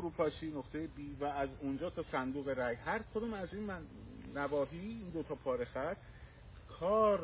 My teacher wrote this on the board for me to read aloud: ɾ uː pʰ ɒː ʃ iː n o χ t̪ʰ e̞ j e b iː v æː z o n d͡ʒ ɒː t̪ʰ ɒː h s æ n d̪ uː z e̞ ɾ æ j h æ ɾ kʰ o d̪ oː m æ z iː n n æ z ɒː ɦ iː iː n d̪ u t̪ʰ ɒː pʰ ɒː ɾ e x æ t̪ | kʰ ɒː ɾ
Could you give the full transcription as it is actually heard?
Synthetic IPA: ɾ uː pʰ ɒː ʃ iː n o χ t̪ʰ e̞ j e b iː v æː z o n d͡ʒ ɒː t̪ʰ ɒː s æ n d̪ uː ɣ e̞ ɾ æ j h æ ɾ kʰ o d̪ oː m æ z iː n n æ v ɒː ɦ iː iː n d̪ o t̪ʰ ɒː pʰ ɒː ɾ e x æ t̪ | kʰ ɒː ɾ